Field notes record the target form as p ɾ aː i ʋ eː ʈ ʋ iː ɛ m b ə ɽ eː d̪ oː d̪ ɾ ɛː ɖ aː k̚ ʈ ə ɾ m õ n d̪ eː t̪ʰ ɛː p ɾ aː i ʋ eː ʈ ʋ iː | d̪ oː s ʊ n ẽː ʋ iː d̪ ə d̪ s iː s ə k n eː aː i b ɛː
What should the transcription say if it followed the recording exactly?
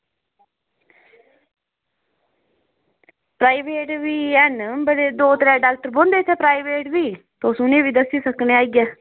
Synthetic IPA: p ɾ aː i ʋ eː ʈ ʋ iː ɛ n b ə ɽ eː d̪ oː t̪ ɾ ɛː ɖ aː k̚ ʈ ə ɾ b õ n d̪ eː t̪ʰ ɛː p ɾ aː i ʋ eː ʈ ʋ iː | t̪ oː s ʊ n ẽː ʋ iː d̪ ə s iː s ə k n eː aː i ɡ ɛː